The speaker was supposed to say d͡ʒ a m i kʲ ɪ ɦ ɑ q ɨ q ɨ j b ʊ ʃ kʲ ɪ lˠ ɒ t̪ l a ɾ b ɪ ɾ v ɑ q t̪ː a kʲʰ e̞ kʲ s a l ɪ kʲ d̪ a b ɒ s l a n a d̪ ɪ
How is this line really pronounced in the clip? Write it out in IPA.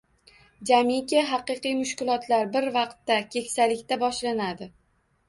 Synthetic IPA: d͡ʒ a m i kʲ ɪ ɦ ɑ q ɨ q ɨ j m ʊ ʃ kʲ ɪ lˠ ɒ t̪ l a ɾ b ɪ ɾ v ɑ q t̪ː a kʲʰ e̞ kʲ s a l ɪ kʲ t̪ a b ɒ ʃ l a n a d̪ ɪ